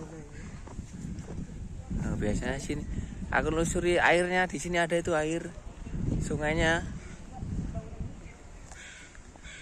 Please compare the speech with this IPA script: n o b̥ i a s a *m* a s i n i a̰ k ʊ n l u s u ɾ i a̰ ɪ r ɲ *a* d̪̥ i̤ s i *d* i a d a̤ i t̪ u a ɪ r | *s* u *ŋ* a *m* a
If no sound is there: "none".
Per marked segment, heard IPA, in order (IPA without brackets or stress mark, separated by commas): ɲ, a, n, s, ŋ, ɲ